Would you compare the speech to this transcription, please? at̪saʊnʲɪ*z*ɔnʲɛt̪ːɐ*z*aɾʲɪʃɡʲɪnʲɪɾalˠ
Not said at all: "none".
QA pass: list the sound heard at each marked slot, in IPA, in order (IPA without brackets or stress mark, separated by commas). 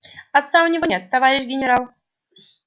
v, v